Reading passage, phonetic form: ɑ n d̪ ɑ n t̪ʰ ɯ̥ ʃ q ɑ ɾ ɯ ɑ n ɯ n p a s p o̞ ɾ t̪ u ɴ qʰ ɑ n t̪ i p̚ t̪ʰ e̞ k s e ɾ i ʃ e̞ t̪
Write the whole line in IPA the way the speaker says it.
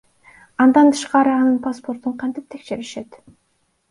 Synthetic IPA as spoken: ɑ n d̪ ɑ n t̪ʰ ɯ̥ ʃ q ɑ ɾ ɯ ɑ n ɯ n p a s p o̞ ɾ t̪ u ɴ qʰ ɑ n t̪ i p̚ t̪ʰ e̞ k ʃ e ɾ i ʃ e̞ t̪